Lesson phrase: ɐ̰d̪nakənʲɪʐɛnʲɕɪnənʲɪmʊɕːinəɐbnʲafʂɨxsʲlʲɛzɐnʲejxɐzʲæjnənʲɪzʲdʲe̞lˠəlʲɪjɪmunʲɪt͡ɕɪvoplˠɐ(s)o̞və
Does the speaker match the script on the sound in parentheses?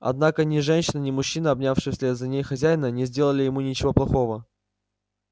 no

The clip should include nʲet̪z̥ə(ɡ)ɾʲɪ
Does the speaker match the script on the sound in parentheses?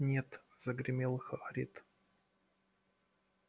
yes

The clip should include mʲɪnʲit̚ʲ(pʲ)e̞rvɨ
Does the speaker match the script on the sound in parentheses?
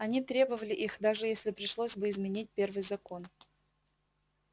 yes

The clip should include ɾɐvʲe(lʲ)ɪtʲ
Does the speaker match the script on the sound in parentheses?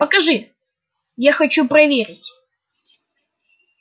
no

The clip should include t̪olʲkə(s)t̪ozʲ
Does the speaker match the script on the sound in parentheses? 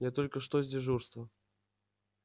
no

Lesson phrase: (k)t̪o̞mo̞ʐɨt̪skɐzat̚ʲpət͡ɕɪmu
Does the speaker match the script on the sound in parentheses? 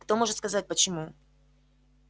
yes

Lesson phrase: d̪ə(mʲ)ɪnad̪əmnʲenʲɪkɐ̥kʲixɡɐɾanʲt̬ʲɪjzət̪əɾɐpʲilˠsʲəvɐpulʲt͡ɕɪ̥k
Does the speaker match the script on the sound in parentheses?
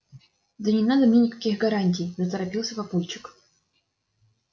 no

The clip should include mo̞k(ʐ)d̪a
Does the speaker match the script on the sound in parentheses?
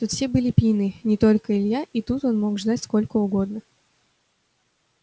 yes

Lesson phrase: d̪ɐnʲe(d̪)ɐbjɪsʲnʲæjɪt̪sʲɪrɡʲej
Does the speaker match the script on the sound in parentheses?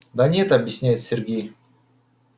no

